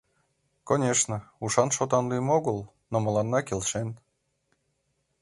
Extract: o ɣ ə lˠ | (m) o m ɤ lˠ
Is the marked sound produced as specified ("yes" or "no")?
no